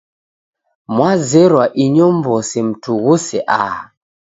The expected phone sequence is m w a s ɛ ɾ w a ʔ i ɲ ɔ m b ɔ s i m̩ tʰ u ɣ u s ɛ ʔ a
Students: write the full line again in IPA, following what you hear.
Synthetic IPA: m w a z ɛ ɾ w a ʔ i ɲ ɔ m b ɔ s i m̩ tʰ u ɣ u s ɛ ʔ a